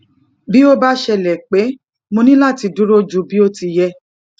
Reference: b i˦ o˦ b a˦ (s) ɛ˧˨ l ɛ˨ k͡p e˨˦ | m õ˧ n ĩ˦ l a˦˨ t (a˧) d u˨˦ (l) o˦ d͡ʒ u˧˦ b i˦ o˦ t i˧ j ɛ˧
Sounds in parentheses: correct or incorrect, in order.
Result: incorrect: ʃ, incorrect: i˧, incorrect: ɾ

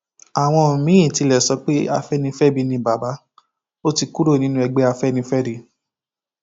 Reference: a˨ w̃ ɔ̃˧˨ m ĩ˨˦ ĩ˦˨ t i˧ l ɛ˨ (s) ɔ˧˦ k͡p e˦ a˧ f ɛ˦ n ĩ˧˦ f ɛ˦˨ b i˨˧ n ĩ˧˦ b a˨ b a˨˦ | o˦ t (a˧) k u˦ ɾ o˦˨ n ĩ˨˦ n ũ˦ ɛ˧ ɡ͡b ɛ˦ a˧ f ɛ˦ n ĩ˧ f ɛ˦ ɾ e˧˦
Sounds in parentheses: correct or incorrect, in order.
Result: correct, incorrect: i˧

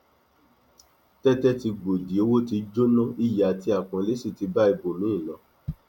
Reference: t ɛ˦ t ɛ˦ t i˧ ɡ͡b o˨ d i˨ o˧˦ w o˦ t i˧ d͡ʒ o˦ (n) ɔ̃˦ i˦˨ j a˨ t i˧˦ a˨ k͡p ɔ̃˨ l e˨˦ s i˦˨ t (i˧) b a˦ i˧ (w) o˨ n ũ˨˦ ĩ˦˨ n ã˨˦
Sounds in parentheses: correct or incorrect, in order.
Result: correct, correct, incorrect: b

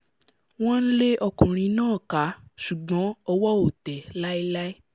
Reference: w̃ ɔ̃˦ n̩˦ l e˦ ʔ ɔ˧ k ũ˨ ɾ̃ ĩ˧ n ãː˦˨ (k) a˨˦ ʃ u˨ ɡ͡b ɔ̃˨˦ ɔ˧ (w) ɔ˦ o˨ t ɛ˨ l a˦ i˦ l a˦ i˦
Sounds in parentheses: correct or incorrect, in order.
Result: correct, correct

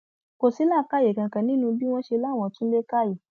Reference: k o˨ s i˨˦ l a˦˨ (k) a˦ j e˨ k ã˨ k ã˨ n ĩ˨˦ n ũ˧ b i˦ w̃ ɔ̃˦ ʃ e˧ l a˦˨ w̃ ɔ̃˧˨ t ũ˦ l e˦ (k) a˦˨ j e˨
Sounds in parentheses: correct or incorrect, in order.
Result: correct, correct

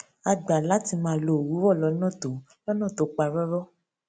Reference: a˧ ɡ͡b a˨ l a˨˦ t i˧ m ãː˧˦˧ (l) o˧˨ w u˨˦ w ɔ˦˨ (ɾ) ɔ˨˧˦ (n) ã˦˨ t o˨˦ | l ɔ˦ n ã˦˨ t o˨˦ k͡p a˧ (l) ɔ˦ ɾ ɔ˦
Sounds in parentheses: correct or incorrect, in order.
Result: correct, incorrect: l, correct, incorrect: ɾ

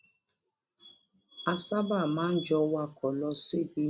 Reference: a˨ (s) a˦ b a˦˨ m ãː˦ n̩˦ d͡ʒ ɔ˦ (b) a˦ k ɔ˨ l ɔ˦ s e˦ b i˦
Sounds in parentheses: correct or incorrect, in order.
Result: correct, incorrect: w

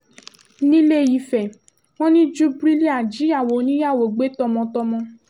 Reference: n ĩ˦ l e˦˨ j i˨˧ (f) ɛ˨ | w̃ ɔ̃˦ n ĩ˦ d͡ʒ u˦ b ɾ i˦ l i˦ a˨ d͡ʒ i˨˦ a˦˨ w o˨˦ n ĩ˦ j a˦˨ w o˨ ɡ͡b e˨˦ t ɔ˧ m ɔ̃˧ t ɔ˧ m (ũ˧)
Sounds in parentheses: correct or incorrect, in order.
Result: correct, incorrect: ɔ̃˧

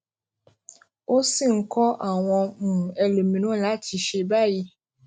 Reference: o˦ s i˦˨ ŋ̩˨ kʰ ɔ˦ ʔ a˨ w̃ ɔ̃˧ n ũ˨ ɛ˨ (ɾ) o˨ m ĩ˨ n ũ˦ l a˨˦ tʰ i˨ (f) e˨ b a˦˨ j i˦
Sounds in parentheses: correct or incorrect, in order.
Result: incorrect: l, incorrect: ʃ

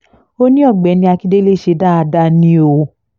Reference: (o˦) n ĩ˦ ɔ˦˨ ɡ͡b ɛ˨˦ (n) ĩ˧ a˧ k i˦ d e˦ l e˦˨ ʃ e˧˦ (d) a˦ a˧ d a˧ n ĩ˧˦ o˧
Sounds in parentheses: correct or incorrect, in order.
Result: correct, correct, correct

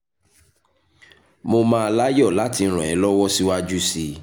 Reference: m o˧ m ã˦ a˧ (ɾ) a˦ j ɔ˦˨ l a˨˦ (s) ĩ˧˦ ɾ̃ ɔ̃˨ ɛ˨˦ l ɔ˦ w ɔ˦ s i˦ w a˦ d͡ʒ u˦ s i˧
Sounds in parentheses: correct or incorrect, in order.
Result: incorrect: l, incorrect: t

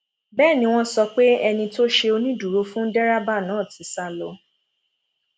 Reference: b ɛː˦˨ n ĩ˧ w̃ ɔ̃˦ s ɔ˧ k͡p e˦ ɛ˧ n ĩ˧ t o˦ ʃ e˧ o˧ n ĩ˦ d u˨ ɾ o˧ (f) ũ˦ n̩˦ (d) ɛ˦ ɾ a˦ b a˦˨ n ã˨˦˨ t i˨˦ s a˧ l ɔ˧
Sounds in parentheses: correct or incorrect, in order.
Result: correct, correct

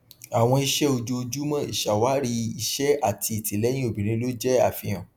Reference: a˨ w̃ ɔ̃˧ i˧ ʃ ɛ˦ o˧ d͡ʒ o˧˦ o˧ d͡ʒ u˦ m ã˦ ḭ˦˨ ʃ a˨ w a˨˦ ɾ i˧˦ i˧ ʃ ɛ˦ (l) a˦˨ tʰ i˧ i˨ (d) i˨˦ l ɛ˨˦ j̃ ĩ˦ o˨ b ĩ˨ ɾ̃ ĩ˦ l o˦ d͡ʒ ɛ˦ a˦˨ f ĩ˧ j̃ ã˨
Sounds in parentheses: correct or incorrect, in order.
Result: incorrect: none, incorrect: t

